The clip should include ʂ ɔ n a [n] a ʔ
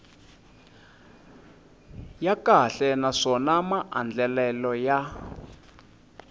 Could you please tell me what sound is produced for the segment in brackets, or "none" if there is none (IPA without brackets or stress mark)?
m